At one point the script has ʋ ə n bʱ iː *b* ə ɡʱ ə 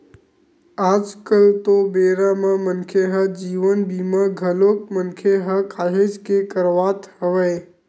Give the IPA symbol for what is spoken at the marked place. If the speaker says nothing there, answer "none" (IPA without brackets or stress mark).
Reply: m